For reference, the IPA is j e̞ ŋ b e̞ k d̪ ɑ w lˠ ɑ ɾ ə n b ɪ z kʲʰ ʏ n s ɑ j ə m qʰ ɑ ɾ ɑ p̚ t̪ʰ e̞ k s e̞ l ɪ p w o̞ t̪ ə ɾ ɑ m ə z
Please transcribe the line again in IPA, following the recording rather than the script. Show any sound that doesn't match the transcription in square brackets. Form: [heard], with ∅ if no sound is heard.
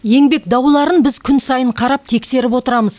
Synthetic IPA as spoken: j e̞ ŋ b e̞ k d̪ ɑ w lˠ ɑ ɾ ə n b ɪ z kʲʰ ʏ n s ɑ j ə [ɴ] qʰ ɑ ɾ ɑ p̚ t̪ʰ e̞ k s e̞ [ɾ] ɪ p w o̞ t̪ ə ɾ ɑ m ə z

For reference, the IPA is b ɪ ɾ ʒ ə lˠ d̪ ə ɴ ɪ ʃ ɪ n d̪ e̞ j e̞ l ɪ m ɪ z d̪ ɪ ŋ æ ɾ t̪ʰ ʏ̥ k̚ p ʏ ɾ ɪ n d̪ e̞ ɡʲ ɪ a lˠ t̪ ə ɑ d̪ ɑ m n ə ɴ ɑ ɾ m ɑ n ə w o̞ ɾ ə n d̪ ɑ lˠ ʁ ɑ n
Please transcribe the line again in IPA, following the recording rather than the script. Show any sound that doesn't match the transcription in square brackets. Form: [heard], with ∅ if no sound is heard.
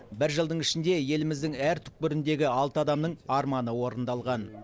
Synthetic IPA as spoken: b ɪ ɾ ʒ ə lˠ d̪ ə ɴ ɪ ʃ ɪ n d̪ e̞ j e̞ l ɪ m ɪ z d̪ ɪ ŋ æ ɾ t̪ʰ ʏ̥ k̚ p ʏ ɾ ɪ n d̪ e̞ ɡʲ ɪ [ɑ] lˠ t̪ ə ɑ d̪ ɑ m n ə ɴ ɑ ɾ m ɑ n ə w o̞ ɾ ə n d̪ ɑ lˠ ʁ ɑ n

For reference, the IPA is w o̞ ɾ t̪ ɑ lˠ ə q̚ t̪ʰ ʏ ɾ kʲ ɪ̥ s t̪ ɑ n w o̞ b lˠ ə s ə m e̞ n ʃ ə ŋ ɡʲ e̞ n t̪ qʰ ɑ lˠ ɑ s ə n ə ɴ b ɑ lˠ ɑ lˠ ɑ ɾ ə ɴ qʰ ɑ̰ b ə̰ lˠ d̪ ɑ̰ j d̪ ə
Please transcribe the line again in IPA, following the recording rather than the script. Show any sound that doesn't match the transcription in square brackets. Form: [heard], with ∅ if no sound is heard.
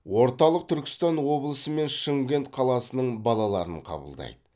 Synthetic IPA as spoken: w o̞ ɾ t̪ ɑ lˠ ə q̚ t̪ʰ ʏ ɾ kʲ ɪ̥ s t̪ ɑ n w o̞ b lˠ ə s ə m e̞ n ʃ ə ŋ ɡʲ e̞ n t̪ qʰ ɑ lˠ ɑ s ə n ə ɴ b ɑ lˠ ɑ lˠ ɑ ɾ ə ɴ qʰ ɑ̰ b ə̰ lˠ d̪ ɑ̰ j d̪ ə

